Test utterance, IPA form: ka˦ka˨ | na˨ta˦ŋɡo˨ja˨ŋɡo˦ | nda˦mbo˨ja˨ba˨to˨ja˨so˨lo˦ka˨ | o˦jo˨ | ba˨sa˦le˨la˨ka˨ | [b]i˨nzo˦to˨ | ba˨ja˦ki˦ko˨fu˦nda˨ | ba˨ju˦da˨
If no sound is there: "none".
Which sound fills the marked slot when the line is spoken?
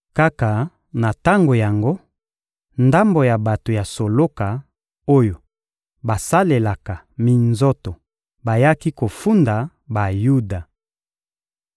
m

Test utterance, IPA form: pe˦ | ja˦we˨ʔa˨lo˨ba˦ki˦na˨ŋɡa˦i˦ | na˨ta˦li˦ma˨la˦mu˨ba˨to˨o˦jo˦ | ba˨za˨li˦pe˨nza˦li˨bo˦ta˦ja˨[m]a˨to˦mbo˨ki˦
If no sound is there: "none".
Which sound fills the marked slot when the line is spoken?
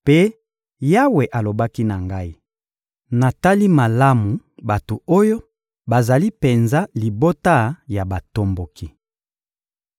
b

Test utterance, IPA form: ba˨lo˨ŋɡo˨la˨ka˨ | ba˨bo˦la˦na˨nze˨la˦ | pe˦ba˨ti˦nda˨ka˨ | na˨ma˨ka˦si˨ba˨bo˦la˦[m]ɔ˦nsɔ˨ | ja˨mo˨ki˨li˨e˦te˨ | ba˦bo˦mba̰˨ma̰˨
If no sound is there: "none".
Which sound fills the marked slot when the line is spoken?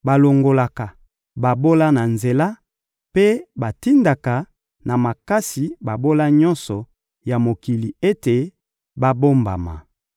ɲ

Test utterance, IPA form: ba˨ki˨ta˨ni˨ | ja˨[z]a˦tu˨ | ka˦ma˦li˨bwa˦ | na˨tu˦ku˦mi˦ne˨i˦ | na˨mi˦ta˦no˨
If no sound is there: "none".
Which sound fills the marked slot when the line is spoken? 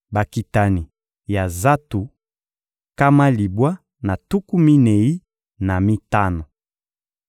z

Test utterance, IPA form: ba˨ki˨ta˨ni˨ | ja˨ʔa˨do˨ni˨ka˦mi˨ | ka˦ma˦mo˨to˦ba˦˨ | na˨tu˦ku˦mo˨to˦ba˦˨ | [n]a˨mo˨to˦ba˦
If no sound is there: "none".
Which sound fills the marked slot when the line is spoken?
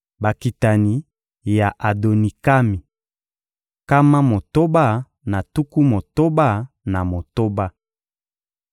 n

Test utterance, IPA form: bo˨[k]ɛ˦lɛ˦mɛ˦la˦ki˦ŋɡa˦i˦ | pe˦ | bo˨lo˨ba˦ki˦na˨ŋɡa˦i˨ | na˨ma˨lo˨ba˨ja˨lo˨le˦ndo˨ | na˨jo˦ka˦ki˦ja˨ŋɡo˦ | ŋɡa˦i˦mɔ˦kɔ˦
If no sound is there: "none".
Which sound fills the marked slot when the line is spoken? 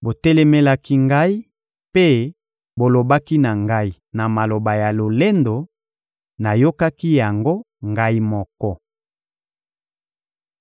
t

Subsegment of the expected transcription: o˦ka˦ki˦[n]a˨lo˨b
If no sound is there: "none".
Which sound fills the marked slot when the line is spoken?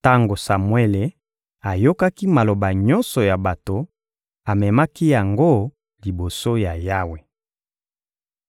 m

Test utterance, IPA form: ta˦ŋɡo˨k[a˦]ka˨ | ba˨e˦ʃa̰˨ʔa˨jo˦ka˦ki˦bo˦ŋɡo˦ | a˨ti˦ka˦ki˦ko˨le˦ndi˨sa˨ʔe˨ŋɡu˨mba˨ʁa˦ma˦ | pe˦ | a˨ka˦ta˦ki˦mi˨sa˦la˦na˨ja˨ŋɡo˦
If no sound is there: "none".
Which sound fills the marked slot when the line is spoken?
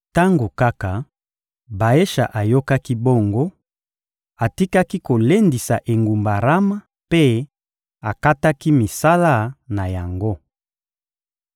a˦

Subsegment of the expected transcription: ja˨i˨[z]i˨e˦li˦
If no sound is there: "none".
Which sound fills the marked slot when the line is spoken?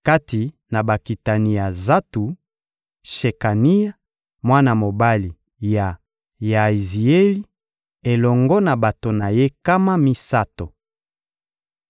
z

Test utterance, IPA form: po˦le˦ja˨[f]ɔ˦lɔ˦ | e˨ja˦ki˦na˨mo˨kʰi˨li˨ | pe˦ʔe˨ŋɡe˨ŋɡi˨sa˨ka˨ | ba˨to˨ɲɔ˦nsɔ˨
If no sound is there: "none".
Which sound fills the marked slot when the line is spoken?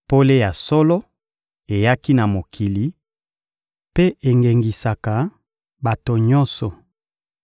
s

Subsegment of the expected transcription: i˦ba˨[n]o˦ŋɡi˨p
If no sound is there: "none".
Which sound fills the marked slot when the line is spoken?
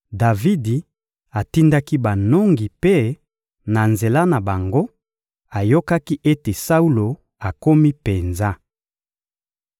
n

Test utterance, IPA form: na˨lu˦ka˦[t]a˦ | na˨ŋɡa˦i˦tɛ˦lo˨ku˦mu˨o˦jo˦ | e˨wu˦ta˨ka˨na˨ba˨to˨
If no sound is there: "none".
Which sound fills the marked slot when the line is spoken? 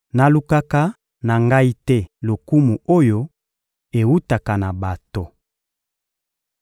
k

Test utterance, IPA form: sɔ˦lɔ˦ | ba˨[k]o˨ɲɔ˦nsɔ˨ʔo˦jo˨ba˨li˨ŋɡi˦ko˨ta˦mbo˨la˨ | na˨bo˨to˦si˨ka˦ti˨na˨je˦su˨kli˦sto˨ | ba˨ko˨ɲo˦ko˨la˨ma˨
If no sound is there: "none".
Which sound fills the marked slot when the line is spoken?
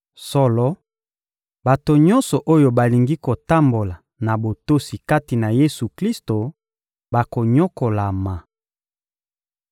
t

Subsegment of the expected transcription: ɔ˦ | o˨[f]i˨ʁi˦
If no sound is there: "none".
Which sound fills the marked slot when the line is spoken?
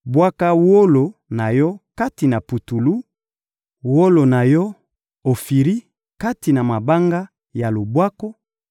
f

